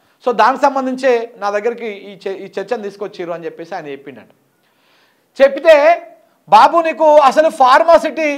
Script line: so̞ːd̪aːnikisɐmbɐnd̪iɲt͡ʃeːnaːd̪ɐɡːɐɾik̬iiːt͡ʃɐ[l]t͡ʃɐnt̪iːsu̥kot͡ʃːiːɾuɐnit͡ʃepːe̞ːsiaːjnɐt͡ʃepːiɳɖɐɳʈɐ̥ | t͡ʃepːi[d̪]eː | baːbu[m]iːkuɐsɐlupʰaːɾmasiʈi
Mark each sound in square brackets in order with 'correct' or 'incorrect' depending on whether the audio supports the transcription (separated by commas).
incorrect, incorrect, incorrect